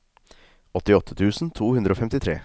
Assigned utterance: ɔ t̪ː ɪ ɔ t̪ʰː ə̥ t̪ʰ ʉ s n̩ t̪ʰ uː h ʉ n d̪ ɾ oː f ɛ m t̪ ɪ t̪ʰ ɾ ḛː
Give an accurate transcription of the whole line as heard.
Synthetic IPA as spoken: ɔ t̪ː ɪ ɔ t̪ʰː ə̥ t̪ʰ ʉː s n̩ t̪ʰ uː h ʉ n d̪ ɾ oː f ɛ m t̪ ɪ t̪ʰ ɾ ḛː